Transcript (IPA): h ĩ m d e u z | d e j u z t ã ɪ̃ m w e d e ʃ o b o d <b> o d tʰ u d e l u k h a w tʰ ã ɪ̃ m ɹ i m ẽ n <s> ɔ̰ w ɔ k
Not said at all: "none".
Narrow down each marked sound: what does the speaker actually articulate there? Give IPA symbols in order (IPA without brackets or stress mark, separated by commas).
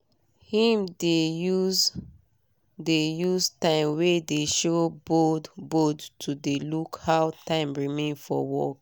b, f